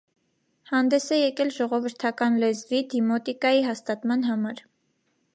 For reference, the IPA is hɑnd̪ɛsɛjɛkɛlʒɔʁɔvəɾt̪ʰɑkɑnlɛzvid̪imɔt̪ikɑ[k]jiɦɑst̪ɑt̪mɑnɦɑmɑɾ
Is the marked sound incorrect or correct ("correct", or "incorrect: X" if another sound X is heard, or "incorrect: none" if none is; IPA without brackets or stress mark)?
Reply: incorrect: none